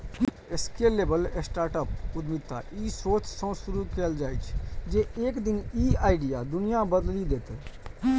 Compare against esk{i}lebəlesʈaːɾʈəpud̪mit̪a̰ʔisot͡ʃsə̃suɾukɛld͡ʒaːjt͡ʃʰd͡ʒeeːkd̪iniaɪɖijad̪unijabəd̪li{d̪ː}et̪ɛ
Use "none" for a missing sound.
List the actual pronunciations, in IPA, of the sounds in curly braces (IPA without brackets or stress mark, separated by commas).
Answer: e, d̪